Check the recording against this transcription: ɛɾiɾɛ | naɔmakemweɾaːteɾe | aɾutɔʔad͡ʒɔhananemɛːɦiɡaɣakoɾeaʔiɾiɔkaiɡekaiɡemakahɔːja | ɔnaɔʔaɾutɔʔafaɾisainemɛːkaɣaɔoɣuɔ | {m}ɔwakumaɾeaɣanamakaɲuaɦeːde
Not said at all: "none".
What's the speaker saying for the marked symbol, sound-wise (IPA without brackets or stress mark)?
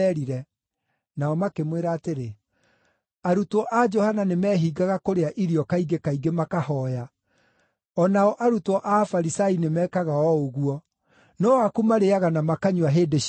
n